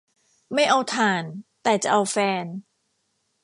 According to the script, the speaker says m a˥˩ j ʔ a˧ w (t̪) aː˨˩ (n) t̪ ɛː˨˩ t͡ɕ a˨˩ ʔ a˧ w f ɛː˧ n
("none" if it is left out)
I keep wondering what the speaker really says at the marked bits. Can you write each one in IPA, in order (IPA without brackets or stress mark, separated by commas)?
t̪ʰ, n